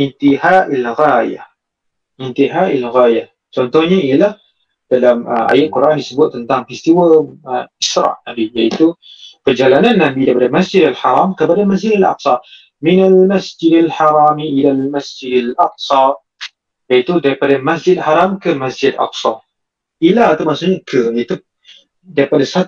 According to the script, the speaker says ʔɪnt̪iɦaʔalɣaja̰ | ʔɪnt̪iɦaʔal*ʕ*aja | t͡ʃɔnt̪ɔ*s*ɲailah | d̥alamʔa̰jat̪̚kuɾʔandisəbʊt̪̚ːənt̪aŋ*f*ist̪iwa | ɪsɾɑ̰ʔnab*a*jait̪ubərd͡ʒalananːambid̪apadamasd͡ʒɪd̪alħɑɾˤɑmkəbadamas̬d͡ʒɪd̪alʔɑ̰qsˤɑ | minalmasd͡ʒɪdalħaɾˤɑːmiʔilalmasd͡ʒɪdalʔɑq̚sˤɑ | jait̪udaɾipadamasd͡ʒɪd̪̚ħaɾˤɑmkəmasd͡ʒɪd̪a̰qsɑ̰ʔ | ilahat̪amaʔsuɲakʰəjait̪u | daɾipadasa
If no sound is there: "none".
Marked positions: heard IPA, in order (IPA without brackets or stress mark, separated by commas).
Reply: ɣ, h, f, i